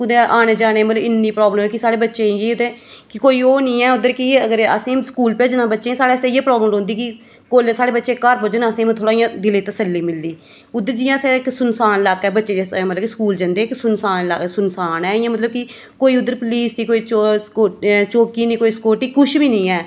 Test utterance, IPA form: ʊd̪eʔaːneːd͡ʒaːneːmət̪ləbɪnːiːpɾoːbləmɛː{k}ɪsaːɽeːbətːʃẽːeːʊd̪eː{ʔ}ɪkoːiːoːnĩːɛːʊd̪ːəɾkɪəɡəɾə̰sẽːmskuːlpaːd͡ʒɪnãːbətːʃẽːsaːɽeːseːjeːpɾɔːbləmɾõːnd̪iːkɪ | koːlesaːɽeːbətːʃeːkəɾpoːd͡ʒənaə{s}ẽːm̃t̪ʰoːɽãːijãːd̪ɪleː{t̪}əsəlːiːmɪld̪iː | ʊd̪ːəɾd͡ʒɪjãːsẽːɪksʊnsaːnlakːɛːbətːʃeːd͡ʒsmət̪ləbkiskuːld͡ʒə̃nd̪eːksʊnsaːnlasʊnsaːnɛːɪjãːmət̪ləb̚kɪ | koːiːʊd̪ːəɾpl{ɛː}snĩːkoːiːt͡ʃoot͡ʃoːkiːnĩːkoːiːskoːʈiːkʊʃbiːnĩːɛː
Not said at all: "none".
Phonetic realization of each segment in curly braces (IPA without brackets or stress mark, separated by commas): k, k, s, t̪, iː